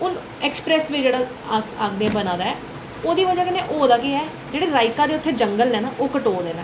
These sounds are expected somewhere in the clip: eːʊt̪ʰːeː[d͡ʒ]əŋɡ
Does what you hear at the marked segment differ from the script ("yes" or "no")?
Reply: no